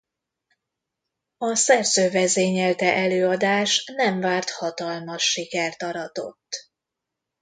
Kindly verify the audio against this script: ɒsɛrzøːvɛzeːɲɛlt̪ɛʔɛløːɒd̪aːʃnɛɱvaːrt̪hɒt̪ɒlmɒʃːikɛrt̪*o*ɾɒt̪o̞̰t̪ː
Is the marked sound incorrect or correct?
incorrect